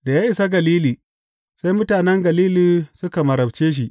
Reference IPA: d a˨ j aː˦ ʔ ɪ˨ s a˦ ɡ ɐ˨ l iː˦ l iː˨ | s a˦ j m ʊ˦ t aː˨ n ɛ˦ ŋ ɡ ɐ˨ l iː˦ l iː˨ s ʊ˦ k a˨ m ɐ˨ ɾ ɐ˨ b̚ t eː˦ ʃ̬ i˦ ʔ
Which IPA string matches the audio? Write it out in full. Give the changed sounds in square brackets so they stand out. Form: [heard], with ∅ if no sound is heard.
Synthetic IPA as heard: d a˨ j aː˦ ʔ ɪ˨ s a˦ ɡ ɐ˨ l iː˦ l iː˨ | s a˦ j m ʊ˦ t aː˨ n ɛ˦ ŋ ɡ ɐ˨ l iː˦ l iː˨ s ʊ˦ k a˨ m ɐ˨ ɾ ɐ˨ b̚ [t͡ʃ] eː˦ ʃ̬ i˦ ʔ